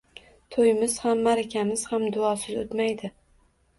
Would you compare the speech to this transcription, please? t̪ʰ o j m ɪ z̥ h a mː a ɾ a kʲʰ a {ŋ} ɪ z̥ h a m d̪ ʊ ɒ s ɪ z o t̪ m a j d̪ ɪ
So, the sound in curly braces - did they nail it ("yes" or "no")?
no